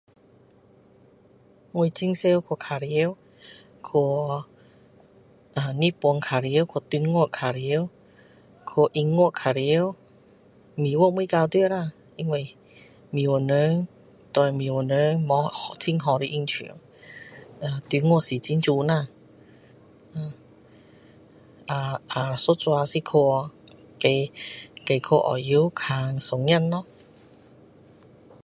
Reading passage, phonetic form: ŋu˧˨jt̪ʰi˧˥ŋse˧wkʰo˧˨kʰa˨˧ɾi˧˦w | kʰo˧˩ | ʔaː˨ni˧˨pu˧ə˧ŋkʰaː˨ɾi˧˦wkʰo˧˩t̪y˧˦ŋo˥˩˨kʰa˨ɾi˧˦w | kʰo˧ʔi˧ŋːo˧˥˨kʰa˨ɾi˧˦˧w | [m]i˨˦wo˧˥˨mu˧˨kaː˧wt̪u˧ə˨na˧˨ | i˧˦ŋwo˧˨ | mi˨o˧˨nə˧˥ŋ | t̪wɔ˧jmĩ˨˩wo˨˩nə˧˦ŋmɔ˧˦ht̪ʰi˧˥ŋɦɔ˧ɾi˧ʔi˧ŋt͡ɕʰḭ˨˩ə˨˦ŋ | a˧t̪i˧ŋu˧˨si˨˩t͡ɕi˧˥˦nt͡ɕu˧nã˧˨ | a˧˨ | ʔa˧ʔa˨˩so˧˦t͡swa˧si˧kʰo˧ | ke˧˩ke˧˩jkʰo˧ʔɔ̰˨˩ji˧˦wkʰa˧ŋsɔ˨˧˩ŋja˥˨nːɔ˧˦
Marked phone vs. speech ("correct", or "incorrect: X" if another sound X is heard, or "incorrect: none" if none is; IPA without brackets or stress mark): correct